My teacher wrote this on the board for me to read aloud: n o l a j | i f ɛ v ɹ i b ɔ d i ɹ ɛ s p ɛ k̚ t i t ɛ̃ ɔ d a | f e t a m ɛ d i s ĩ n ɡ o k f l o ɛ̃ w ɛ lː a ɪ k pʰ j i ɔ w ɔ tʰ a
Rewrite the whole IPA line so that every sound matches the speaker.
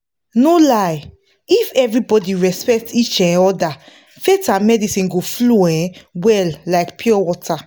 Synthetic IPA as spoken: n o l a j | i f ɛ v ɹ i b ɔ d i ɹ ɛ s p ɛ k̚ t i t͡ʃ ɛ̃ ɔ d a | f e t a m ɛ d i s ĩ n ɡ o f l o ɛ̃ w ɛ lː a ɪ k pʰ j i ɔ w ɔ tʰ a